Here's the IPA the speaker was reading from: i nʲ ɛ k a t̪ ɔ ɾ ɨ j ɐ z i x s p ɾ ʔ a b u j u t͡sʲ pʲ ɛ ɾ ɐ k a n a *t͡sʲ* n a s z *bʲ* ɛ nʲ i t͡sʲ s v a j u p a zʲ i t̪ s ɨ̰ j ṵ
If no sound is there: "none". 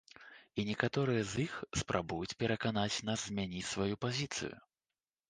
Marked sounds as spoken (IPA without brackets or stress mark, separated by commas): t͡sʲ, mʲ